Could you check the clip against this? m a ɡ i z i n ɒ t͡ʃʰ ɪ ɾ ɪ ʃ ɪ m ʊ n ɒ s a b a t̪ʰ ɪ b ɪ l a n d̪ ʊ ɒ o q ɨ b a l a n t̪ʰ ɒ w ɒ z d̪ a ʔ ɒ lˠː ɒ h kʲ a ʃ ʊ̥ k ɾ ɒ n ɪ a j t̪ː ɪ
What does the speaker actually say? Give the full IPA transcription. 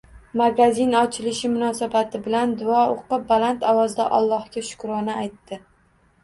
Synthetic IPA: m a ɡ a z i n ɒ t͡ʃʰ ɪ l ɪ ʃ ɪ m ʊ n ɒ s a b a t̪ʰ ɪ b ɪ l a n d̪ ʊ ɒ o q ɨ b a l a n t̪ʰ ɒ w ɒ z d̪ a ʔ ɒ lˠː ɒ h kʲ a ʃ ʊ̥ k ɾ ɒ n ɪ a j t̪ː ɪ